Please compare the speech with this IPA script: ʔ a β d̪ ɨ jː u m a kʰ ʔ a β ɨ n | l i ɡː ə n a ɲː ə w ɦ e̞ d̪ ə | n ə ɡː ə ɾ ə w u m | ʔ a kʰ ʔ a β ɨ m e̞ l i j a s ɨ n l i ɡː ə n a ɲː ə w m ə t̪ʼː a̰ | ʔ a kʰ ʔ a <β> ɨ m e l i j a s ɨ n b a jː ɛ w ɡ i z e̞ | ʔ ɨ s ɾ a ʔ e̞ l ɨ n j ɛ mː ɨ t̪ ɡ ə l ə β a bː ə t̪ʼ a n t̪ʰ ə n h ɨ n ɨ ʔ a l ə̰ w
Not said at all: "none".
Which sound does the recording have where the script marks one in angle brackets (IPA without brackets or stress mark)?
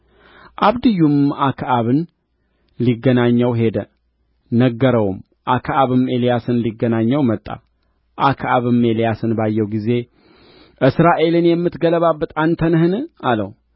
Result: β